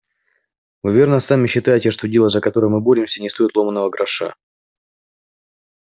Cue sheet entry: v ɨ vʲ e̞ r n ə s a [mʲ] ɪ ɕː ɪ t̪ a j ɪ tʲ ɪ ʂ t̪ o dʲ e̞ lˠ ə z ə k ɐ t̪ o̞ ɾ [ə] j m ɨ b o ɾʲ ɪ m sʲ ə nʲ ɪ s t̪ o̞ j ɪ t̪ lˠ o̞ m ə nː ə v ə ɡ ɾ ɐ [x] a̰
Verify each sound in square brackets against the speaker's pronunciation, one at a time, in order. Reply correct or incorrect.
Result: correct, correct, incorrect: ʂ

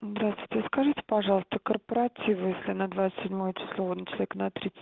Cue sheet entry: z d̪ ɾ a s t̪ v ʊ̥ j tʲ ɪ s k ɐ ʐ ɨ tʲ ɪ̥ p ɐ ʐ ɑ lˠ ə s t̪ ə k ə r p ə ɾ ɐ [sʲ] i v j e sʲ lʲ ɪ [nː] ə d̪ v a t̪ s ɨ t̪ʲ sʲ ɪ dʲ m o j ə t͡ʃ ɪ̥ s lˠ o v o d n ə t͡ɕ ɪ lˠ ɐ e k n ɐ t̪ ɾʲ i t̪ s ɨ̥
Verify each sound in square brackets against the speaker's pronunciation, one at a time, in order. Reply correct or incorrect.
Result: incorrect: tʲ, incorrect: n

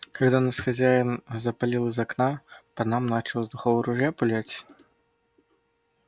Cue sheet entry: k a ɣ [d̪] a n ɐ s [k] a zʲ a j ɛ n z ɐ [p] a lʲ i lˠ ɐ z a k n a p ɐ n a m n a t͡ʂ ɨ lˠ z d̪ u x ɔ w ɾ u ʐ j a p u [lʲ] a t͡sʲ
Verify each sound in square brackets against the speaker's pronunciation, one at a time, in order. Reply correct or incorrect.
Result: correct, incorrect: x, correct, correct

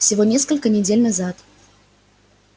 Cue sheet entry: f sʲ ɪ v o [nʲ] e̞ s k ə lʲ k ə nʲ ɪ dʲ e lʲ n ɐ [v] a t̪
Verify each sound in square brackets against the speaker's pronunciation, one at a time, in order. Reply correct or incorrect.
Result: correct, incorrect: z

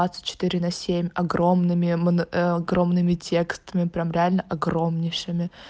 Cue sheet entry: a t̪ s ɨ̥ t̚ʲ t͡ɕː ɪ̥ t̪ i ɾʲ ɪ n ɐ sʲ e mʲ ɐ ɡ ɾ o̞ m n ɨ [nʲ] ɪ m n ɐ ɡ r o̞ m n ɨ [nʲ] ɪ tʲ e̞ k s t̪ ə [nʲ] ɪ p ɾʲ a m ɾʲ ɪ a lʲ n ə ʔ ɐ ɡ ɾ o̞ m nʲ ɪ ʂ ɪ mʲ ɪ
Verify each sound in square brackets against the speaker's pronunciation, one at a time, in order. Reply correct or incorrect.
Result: incorrect: mʲ, incorrect: mʲ, incorrect: mʲ

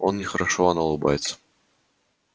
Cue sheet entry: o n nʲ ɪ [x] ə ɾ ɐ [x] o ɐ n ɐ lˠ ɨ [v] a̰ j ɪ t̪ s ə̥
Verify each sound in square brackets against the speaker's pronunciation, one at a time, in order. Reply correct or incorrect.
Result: correct, incorrect: ʂ, incorrect: b

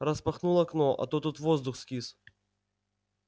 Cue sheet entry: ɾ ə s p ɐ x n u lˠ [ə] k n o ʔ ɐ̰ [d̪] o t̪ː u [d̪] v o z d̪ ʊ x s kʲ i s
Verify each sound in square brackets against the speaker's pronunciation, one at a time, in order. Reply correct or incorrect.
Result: incorrect: ɐ, incorrect: t̪, incorrect: t̪

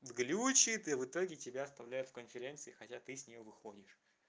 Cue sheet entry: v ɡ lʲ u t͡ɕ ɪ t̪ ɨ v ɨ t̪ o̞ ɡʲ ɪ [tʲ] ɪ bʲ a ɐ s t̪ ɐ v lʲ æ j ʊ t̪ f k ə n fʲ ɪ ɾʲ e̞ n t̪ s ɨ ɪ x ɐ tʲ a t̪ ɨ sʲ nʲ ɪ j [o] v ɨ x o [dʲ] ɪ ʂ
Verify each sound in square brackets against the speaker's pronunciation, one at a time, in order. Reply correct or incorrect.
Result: correct, correct, correct

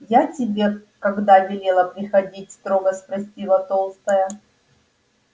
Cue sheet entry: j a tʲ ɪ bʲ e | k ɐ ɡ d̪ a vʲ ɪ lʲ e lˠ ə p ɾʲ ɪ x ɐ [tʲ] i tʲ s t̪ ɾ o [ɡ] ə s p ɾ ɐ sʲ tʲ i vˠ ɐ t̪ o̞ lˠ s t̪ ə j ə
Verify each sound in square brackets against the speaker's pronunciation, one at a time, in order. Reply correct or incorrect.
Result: incorrect: dʲ, correct

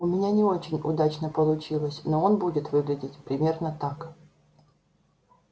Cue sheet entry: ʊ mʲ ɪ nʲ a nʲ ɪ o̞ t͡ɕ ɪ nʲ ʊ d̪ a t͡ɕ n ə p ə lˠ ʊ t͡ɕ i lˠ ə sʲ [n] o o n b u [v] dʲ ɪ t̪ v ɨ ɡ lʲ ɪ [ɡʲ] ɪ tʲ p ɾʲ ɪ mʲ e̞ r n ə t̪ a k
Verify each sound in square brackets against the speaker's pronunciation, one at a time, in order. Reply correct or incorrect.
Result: correct, incorrect: none, incorrect: dʲ

